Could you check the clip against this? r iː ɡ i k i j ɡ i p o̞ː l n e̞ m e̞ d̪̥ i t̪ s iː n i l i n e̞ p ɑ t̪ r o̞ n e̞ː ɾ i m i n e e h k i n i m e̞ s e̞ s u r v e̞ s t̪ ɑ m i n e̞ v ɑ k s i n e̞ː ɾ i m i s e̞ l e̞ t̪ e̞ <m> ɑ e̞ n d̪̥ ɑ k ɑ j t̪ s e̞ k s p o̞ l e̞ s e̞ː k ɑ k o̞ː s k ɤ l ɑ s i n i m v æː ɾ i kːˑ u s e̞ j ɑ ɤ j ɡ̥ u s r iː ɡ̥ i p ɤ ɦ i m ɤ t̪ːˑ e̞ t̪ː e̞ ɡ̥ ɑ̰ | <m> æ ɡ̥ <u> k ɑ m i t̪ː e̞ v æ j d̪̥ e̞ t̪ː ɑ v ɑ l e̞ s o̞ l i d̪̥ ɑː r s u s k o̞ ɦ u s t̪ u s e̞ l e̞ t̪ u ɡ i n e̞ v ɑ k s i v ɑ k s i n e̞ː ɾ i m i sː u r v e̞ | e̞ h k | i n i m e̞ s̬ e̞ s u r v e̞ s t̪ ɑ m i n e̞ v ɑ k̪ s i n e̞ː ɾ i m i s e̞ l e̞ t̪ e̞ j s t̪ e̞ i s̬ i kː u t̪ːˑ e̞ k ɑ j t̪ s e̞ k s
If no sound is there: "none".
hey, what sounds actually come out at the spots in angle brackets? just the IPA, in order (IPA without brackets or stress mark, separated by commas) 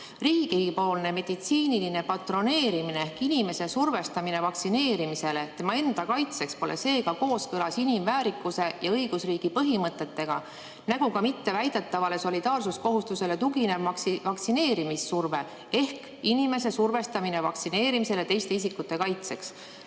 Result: m, n, u